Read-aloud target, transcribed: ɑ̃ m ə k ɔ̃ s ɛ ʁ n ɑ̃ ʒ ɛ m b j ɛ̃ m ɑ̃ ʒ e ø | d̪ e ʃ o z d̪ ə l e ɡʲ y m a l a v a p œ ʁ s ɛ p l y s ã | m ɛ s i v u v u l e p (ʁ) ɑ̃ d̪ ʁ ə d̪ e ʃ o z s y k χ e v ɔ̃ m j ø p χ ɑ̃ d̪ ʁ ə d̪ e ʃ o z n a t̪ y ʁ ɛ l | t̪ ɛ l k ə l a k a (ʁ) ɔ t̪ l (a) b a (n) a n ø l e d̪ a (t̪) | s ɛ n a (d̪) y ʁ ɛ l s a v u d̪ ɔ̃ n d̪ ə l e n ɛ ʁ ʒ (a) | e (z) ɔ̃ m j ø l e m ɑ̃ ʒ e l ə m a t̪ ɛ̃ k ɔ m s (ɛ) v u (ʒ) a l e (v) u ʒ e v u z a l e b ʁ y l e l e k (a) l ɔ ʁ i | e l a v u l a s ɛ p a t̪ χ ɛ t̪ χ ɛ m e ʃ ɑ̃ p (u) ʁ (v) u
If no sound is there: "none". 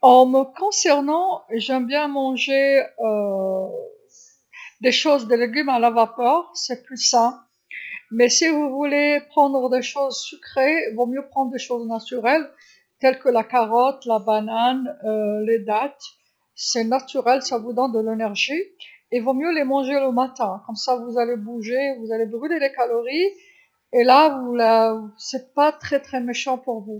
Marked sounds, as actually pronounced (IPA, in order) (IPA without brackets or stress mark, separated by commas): χ, ʁ, a, n, t̪, t̪, i, v, a, z, b, a, u, v